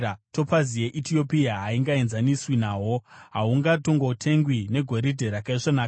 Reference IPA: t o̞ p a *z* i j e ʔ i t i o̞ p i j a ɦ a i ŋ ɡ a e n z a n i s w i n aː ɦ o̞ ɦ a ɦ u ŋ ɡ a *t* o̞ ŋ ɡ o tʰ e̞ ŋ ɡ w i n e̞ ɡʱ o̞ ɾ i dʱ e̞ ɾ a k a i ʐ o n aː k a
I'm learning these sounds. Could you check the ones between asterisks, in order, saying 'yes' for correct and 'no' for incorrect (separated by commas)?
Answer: yes, yes